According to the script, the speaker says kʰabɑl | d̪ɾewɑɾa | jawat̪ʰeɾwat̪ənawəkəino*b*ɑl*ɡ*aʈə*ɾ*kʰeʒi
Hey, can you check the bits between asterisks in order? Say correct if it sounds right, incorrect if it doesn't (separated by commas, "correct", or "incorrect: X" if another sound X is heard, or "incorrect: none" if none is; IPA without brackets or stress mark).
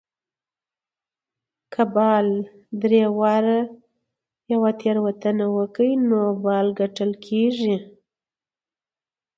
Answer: correct, correct, incorrect: l